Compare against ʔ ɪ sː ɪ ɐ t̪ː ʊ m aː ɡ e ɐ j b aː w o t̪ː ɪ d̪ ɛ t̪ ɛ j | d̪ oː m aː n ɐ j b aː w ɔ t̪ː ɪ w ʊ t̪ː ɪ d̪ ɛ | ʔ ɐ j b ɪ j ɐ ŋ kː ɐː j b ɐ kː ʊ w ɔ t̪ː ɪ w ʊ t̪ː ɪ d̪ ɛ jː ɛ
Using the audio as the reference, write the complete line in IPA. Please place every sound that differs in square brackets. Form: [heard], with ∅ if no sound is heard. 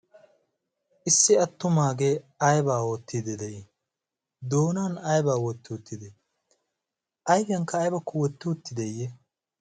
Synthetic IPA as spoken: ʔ ɪ sː ɪ ɐ t̪ː ʊ m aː ɡ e ɐ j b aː w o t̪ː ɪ d̪ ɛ [d̪] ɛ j | d̪ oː [n] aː n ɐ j b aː w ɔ t̪ː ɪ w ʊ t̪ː ɪ d̪ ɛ | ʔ ɐ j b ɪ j ɐ ŋ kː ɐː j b ɐ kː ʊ w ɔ t̪ː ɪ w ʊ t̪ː ɪ d̪ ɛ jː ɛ